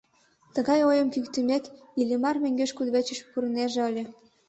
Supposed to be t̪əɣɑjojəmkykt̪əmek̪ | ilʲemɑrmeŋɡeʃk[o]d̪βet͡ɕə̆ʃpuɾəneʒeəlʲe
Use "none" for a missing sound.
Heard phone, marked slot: u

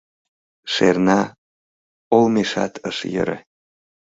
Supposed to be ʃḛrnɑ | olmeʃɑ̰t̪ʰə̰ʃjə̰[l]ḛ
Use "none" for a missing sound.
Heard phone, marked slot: ɾ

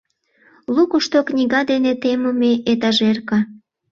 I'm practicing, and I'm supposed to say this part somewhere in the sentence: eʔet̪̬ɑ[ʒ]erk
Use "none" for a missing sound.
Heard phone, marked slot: ʒ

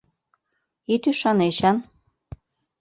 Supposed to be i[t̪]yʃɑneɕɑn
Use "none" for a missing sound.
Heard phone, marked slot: t̪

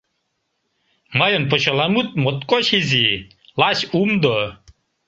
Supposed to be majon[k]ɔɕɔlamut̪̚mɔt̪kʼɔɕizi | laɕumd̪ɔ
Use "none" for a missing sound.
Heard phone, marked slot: p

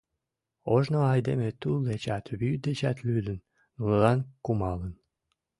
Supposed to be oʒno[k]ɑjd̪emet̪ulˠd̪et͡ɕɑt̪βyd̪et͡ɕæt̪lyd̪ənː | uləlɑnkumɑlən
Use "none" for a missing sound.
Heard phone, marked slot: none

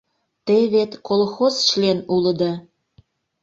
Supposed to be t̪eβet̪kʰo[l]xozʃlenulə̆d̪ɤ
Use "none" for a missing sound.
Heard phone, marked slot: l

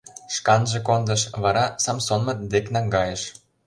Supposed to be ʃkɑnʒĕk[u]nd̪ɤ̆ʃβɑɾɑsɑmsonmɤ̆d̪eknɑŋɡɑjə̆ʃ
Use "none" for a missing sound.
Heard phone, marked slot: o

